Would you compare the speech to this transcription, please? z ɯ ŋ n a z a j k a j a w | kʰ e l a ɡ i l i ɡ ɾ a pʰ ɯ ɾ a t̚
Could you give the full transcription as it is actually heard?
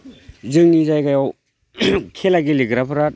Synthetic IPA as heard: z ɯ ŋ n i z a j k a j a w | kʰ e l a ɡ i l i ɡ ɾ a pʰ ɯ ɾ a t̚